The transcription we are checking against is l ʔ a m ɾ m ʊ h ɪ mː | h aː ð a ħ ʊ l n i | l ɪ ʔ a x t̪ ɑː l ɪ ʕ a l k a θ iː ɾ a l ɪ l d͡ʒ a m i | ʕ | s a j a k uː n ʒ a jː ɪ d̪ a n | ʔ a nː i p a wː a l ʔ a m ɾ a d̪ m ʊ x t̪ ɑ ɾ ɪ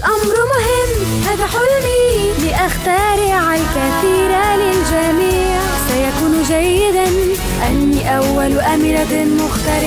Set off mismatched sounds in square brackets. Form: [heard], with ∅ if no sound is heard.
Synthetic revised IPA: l ʔ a m ɾ m ʊ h ɪ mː | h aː ð a ħ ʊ l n i | l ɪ ʔ a x t̪ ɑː [ɾ] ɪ ʕ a l k a θ iː ɾ a l ɪ l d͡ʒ a m [iː] | ʕ | s a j a k uː n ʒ a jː ɪ d̪ a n | ʔ a nː i [ʔ] a wː a l ʔ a m ɾ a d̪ m ʊ x t̪ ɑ ɾ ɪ